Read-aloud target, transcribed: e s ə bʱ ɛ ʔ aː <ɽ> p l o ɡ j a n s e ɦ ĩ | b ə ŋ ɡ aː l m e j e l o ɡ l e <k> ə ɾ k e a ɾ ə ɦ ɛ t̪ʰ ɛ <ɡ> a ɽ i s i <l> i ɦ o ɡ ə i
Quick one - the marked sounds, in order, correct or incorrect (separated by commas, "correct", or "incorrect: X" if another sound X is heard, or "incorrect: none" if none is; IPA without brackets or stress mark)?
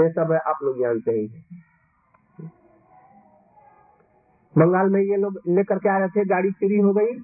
incorrect: none, correct, correct, incorrect: ɾ